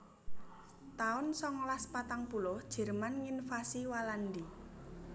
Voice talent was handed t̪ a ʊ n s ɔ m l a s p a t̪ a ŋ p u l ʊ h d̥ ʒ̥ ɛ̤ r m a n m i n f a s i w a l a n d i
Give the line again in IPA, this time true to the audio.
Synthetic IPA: t̪ a ʊ n s ɔ ŋ l a s p a t̪ a ŋ p u l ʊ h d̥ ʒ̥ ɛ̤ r m a n ŋ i n f a s i w a l a n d i